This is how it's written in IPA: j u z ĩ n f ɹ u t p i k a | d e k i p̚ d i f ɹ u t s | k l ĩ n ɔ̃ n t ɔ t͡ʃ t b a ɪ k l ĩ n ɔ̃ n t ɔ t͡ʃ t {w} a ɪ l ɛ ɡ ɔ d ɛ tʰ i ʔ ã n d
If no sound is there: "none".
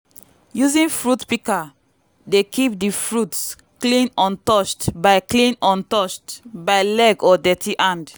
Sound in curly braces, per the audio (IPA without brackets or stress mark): b